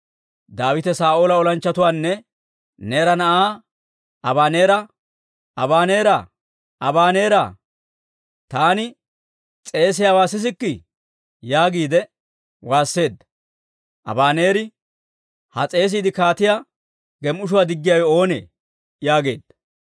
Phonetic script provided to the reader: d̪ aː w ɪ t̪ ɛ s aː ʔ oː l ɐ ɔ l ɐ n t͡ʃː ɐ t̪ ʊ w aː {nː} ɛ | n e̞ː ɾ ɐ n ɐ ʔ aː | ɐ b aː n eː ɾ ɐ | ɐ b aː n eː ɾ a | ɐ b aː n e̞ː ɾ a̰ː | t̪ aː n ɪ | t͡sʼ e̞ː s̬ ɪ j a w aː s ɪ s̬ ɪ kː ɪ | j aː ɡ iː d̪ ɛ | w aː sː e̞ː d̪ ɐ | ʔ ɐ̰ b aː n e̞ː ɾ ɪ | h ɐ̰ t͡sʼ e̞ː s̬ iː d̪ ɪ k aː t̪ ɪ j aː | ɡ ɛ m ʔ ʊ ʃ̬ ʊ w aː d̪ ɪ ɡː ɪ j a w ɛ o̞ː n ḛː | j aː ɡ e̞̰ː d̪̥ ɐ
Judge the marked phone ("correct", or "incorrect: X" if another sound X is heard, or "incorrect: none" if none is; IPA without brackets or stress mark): correct